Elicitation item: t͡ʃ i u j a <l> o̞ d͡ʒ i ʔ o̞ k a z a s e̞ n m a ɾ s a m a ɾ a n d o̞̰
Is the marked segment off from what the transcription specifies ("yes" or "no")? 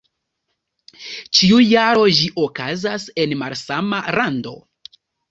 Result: yes